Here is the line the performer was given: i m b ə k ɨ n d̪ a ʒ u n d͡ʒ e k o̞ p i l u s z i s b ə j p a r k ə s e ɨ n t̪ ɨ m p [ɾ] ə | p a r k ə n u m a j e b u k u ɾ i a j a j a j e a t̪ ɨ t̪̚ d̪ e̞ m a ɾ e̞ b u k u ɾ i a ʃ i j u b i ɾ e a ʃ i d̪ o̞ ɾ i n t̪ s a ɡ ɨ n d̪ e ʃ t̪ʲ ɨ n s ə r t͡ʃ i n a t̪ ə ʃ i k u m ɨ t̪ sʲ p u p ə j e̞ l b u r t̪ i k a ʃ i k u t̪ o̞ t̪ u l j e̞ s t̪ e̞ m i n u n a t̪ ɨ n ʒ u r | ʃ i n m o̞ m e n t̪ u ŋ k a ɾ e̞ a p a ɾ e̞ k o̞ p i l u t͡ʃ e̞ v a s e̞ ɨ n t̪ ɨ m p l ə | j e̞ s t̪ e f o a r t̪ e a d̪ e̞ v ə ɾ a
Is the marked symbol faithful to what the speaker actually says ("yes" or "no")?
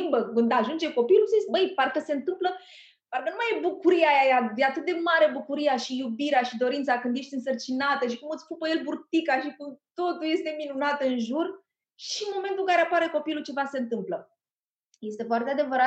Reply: no